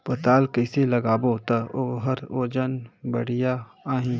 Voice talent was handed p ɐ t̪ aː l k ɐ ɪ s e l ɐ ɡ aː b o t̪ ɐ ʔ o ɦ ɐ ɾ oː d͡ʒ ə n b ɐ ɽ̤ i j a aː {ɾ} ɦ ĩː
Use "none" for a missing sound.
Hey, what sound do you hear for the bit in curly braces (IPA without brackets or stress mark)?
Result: none